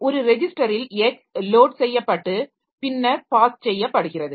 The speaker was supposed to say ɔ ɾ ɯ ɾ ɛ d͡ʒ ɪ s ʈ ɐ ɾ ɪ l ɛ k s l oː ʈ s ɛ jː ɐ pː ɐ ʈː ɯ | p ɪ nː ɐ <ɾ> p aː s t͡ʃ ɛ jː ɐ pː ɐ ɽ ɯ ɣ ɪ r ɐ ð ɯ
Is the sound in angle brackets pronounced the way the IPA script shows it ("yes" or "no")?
yes